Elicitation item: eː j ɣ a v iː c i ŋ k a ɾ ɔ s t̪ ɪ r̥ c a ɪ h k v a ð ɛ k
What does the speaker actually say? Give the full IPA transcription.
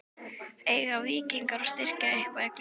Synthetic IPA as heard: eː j ɣ a v iː c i ŋ k a ɾ ɔ s t̪ ɪ r̥ c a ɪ h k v a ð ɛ k

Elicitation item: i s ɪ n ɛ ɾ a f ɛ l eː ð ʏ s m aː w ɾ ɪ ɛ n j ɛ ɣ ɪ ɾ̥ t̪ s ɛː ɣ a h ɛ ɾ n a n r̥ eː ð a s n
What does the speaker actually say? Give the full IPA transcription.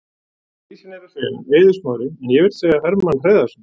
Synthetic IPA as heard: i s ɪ n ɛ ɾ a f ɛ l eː ð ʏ s m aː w ɾ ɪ ɛ n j ɛ v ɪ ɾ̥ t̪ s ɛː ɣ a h ɛ ɾ m a n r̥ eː ð a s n

